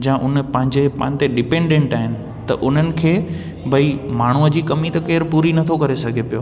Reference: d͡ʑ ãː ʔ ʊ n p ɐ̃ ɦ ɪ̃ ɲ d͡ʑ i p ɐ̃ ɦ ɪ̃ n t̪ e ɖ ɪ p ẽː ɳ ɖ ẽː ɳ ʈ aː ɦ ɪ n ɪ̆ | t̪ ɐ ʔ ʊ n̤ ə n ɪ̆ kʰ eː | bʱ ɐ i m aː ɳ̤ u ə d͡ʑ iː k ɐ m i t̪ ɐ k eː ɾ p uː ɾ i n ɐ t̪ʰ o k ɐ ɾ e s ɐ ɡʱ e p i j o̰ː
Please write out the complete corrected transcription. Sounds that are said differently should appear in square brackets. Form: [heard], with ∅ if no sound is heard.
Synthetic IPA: d͡ʑ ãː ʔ ʊ n p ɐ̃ ɦ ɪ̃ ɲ d͡ʑ [e] p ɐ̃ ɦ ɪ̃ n t̪ e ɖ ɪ p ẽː ɳ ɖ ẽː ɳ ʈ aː ɦ ɪ n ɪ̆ | t̪ ɐ ʔ ʊ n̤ ə n ɪ̆ kʰ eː | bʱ ɐ i m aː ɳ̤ u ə d͡ʑ iː k ɐ m i t̪ ɐ k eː ɾ p uː ɾ i n ɐ t̪ʰ o k ɐ ɾ e s ɐ ɡʱ e p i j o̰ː